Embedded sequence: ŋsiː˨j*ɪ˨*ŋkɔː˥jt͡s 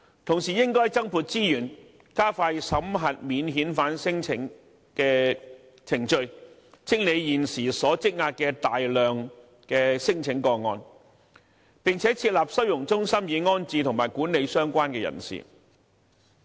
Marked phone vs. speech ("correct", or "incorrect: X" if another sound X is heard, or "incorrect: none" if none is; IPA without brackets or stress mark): incorrect: ɪ˥